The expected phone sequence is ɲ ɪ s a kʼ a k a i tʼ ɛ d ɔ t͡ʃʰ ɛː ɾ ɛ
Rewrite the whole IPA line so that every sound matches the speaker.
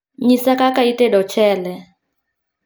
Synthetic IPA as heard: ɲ i s a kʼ a k a i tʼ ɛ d ɔ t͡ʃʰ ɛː l ɛ